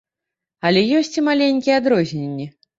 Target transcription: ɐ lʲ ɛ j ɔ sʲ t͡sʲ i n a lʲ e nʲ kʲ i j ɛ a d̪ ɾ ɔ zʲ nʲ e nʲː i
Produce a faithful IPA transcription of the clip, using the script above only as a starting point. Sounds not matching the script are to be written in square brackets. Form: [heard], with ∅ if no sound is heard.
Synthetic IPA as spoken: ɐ lʲ ɛ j ɔ sʲ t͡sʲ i [m] a lʲ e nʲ kʲ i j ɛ a d̪ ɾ ɔ zʲ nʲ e nʲː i